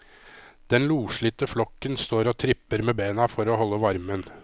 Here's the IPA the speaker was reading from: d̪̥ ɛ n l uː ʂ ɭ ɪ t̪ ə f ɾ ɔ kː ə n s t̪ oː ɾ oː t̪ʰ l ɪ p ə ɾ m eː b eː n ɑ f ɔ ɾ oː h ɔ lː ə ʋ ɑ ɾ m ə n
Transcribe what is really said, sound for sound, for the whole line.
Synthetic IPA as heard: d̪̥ ɛ n l uː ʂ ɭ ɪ t̪ ə f l ɔ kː ə n s t̪ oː ɾ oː t̪ʰ ɾ ɪ p ə ɾ m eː b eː n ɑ f ɔ ɾ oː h ɔ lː ə ʋ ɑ ɾ m ə n